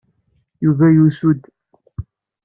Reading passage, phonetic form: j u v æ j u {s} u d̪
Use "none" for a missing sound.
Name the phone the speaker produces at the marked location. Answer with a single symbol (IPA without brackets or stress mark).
s